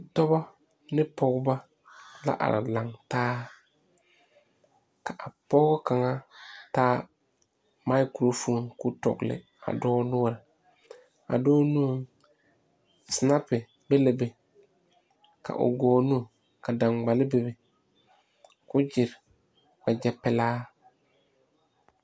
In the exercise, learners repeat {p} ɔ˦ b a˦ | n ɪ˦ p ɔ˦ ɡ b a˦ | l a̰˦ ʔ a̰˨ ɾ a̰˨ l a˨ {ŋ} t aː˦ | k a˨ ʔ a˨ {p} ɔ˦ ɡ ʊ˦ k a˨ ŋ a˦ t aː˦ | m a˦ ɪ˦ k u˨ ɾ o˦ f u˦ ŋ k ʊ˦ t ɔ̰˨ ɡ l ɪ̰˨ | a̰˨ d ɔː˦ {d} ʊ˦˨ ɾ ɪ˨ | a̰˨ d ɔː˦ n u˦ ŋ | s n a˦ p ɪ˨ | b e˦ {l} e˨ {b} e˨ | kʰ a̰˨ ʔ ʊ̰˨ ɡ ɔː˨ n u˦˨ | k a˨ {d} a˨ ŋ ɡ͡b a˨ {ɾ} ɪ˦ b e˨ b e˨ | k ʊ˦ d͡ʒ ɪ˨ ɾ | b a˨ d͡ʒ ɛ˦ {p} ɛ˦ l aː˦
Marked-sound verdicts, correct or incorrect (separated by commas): incorrect, correct, correct, incorrect, correct, correct, correct, incorrect, correct